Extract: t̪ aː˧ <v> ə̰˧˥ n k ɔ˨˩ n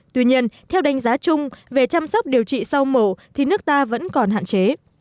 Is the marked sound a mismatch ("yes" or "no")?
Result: no